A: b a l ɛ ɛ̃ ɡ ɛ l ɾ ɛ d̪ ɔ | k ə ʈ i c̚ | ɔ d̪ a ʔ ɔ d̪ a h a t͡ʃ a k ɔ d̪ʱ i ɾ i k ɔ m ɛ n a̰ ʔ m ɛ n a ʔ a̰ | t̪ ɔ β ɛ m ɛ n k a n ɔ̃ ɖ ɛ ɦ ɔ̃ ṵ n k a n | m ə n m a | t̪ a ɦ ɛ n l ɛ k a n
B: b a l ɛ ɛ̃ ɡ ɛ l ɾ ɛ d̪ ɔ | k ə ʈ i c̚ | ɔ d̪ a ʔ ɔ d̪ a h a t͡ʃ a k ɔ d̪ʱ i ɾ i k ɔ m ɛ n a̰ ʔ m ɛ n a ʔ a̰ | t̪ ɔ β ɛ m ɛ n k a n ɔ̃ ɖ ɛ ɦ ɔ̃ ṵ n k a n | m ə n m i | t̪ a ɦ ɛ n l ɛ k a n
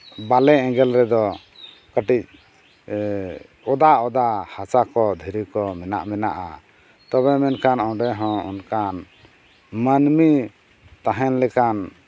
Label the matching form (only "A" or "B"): B